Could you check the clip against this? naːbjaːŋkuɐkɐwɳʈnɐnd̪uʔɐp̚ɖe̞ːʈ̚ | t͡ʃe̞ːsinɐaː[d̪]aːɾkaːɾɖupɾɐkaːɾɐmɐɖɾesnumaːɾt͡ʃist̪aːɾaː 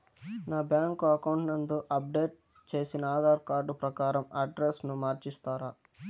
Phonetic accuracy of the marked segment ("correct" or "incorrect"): correct